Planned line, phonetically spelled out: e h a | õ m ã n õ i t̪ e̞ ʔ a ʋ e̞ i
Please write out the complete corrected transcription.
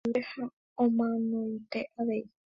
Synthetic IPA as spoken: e h a | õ m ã n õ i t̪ e̞ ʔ a ʋ e̞ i